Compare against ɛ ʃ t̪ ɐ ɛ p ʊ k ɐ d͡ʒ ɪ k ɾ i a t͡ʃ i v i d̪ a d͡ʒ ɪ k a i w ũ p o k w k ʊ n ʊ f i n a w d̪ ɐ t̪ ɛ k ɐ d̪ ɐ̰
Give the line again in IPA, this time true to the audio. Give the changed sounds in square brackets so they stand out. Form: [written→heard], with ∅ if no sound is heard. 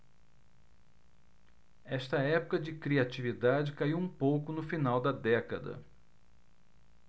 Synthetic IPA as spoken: ɛ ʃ t̪ ɐ ɛ p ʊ k ɐ d͡ʒ ɪ k ɾ i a t͡ʃ i v i d̪ a d͡ʒ ɪ k a i w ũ p o [k→∅] w k ʊ n ʊ f i n a w d̪ ɐ [t̪→d̪] ɛ k ɐ d̪ ɐ̰